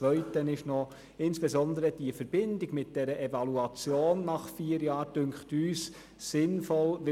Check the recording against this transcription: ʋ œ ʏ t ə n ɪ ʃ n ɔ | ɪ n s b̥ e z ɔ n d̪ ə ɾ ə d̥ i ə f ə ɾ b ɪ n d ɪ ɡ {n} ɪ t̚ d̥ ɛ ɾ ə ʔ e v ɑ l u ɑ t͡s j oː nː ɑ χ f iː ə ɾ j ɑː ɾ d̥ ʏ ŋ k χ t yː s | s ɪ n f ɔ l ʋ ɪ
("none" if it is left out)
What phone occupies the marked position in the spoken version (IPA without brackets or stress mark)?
m